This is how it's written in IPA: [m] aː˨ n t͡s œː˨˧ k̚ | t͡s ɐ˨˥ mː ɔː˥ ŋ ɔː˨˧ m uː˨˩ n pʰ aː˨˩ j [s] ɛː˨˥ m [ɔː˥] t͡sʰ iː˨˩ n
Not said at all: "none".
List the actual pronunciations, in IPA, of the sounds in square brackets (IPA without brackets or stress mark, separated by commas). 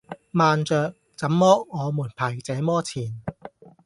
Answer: m, t͡s, ɔː˥